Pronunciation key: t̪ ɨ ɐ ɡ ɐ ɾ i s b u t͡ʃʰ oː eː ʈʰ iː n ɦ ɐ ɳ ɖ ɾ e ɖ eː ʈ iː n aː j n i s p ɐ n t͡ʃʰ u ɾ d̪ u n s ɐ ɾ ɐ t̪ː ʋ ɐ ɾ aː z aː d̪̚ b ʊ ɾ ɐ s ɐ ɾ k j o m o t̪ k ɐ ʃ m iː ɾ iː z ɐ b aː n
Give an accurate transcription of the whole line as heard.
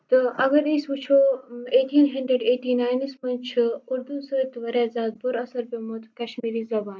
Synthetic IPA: t̪ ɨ ɐ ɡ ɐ ɾ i s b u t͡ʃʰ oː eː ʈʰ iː n ɦ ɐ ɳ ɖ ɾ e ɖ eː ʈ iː n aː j n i s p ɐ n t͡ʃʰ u ɾ d̪ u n s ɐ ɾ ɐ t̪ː ʋ ɐ ɾ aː z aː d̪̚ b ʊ ɾ ɐ s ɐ ɾ p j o m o t̪ k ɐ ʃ m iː ɾ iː z ɐ b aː n